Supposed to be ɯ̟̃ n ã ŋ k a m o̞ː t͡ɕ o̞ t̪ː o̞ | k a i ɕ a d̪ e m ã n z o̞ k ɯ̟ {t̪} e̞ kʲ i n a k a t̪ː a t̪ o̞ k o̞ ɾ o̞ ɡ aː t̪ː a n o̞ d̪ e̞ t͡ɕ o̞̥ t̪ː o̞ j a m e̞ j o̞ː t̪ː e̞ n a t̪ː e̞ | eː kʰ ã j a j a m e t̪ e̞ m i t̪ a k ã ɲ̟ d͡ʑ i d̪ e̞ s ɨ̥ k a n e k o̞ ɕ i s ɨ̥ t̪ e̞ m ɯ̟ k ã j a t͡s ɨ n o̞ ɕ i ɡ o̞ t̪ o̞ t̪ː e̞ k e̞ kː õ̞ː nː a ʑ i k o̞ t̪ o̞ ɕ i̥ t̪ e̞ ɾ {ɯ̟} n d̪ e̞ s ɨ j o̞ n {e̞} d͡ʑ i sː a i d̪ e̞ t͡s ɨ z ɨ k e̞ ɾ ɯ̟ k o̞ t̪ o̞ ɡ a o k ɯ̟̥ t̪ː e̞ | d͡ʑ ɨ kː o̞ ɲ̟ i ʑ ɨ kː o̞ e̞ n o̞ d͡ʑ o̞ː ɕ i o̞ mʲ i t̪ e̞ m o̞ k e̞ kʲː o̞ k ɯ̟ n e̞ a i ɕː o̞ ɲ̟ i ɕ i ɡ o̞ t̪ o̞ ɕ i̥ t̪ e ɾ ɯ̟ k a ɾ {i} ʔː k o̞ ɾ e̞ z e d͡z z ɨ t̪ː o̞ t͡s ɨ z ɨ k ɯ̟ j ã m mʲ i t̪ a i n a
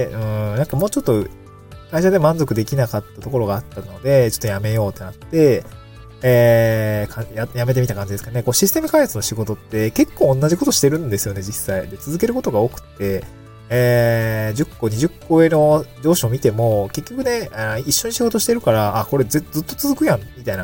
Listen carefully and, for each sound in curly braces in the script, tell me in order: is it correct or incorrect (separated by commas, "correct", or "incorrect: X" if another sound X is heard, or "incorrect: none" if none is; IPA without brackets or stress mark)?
incorrect: d̪, incorrect: ɯ̟̃, correct, incorrect: a